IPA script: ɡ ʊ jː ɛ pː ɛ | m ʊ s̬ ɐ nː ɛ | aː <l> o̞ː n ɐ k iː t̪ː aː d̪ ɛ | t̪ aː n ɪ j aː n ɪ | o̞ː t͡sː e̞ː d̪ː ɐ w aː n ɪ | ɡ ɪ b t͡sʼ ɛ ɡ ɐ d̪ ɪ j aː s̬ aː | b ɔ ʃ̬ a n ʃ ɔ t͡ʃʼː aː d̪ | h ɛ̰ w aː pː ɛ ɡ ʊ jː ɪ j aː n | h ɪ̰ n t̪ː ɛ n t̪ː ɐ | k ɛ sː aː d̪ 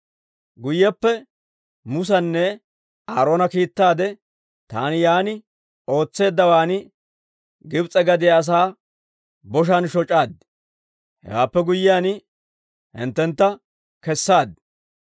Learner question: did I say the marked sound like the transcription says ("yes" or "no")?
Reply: no